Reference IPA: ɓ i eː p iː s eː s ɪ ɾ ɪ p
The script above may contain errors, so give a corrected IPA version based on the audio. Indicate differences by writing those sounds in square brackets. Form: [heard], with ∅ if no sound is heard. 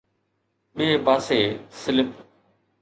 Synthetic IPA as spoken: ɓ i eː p [aː] s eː s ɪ [l] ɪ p